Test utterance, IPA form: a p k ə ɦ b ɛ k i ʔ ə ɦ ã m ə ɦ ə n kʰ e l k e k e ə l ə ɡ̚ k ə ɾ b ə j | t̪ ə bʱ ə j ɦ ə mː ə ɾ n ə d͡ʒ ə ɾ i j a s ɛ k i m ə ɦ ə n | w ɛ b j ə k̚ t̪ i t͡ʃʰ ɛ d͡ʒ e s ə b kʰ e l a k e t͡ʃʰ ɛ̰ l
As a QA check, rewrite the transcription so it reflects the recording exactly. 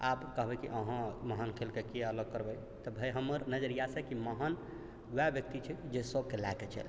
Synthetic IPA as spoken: a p k ə ɦ b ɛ k i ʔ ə ɦ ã m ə ɦ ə n kʰ e l k e k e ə l ə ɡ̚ k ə ɾ b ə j | t̪ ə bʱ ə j ɦ ə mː ə ɾ n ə d͡ʒ ə ɾ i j a s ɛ k i m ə ɦ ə n | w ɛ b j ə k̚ t̪ i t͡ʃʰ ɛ d͡ʒ e s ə b k e l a k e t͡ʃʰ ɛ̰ l